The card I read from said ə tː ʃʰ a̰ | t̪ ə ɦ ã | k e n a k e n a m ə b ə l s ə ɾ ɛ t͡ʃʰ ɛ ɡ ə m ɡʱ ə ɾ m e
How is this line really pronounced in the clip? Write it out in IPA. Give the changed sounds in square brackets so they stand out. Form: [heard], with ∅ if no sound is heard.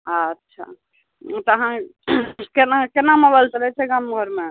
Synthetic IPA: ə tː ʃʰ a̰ | t̪ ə ɦ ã | k e n a k e n a m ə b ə l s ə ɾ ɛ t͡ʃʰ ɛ ɡ [a] m ɡʱ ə ɾ m e